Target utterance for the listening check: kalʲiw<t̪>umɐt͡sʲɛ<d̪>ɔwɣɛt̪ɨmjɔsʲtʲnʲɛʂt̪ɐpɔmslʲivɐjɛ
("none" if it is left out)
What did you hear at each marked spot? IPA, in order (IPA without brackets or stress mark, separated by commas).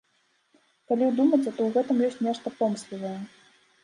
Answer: d̪, t̪